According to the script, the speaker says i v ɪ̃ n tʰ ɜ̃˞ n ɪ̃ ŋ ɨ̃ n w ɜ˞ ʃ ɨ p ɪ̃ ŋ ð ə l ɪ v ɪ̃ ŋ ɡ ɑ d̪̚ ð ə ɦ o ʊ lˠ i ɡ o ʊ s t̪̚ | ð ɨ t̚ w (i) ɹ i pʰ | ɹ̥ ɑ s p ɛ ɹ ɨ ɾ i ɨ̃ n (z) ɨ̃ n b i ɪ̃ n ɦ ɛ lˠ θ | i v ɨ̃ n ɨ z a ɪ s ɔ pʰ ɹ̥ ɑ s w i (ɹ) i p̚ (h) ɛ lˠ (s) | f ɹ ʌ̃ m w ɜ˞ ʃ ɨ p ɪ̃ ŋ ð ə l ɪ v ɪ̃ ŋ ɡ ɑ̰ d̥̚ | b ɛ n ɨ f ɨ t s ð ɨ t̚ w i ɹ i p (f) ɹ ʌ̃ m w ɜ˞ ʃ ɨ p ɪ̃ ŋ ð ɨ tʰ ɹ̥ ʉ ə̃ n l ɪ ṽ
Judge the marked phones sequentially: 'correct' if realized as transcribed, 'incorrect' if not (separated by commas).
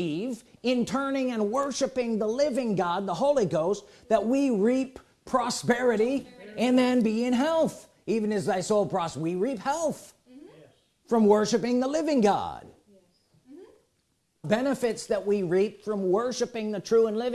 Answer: correct, incorrect, correct, correct, incorrect, correct